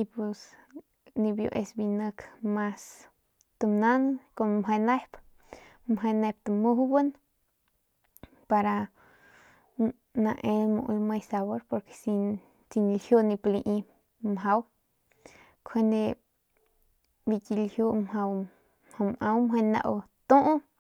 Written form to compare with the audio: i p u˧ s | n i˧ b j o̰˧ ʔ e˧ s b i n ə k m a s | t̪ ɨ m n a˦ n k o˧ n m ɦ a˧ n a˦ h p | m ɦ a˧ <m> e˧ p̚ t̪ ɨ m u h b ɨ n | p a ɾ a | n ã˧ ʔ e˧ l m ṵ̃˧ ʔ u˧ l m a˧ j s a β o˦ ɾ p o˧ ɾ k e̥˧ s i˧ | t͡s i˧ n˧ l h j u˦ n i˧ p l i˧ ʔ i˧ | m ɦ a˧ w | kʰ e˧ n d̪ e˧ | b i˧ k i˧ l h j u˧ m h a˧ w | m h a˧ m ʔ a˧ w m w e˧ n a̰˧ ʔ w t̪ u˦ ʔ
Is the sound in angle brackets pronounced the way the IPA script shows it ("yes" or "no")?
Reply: no